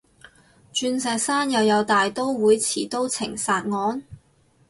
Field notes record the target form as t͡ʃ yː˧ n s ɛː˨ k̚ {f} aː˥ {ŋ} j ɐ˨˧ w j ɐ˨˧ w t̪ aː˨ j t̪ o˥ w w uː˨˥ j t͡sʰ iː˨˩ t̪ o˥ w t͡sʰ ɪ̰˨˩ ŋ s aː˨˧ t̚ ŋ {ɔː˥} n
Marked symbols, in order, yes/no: no, no, no

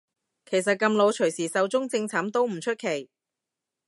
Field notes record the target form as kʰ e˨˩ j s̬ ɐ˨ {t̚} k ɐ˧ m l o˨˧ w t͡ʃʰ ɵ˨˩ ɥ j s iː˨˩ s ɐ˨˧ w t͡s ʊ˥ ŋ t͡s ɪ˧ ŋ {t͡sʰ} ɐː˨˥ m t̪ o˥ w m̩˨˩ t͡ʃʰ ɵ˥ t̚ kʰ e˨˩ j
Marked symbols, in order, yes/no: yes, yes

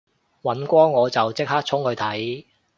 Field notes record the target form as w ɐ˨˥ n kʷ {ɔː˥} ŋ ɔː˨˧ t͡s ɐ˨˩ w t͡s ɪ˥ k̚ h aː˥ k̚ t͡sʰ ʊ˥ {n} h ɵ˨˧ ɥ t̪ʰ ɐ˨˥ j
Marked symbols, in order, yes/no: yes, no

